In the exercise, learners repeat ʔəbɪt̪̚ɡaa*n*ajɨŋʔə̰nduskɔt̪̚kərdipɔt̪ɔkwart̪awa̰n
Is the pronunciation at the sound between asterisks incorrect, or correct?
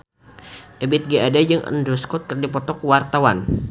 incorrect